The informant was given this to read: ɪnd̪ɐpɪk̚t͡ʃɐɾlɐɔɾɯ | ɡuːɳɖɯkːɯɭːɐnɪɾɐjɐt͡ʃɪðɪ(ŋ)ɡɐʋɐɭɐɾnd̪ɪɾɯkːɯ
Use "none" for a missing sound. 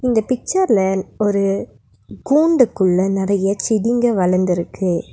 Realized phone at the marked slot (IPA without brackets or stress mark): ŋ